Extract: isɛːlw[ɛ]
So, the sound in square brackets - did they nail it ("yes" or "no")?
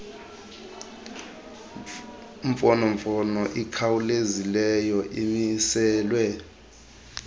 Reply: yes